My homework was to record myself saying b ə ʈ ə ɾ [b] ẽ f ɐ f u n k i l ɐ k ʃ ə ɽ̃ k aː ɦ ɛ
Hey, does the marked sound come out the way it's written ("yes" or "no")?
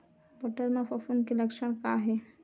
no